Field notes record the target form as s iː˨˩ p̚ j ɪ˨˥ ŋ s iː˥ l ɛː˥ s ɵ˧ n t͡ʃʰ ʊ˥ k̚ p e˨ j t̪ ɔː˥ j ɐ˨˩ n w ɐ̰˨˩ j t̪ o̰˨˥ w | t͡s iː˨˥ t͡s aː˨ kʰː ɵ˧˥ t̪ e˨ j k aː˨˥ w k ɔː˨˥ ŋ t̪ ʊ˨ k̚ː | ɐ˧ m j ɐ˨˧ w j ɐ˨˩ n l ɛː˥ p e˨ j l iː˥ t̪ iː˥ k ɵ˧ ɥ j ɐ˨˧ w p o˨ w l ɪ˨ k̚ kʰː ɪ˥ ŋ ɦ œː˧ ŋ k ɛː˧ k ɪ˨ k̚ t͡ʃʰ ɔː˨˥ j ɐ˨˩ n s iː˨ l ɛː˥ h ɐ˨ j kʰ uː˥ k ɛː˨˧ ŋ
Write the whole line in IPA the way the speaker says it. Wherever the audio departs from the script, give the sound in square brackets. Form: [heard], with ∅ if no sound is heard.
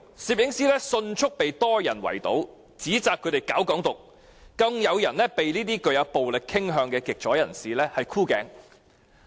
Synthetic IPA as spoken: s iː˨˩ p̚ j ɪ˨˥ ŋ s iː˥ l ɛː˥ s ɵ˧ n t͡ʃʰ ʊ˥ k̚ p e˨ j t̪ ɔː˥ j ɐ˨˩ n w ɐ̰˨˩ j t̪ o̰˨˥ w | t͡s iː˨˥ t͡s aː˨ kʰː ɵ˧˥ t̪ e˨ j k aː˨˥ w k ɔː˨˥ ŋ t̪ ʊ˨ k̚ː | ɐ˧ [ŋ] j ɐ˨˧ w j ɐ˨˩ n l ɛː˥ p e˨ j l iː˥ t̪ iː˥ k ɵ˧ ɥ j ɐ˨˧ w p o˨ w l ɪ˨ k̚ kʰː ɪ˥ ŋ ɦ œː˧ ŋ k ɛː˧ k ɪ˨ k̚ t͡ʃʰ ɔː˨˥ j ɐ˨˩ n s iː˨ l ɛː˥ h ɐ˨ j kʰ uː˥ k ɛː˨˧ ŋ